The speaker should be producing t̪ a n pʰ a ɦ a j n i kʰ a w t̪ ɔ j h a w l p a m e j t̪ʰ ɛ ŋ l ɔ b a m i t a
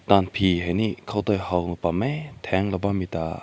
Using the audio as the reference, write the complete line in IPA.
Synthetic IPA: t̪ a n pʰ i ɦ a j n i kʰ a w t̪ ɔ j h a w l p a m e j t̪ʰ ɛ ŋ l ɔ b a m i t a

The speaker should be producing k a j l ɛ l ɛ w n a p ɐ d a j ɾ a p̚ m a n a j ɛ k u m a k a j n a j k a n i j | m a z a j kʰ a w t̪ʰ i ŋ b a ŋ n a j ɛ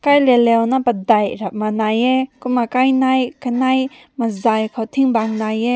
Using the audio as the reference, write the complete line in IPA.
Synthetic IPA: k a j l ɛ l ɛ w n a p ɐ d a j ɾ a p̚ m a n a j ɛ k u m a k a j n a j k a n a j | m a z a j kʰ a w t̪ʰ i ŋ b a ŋ n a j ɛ

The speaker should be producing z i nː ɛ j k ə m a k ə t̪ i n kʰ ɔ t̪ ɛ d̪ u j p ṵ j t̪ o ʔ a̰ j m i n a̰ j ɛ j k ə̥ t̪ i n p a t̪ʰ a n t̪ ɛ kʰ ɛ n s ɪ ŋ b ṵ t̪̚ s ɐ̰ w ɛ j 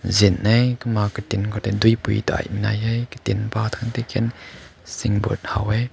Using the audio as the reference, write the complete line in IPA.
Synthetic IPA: z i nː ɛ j k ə m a k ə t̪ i n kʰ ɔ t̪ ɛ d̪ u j p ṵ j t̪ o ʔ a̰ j m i n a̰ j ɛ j k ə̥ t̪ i n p a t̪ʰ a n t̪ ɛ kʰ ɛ n s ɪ ŋ b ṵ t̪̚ h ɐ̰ w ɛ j

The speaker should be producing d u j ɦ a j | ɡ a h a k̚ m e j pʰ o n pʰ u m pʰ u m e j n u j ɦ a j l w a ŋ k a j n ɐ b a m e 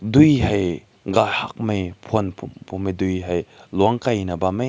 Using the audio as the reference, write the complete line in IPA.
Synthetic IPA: d u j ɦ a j | ɡ a h a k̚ m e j pʰ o n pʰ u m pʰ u m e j d u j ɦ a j l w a ŋ k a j n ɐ b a m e

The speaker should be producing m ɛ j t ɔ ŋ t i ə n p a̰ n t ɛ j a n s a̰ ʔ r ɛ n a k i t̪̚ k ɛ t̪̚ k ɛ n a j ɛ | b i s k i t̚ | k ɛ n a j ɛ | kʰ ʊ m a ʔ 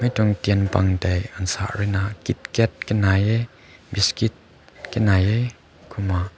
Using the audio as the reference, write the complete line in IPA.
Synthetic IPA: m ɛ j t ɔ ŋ t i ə n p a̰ ŋ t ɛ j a n s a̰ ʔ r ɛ n a k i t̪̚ k ɛ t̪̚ k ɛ n a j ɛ | b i s k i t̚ | k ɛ n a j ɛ | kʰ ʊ m a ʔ

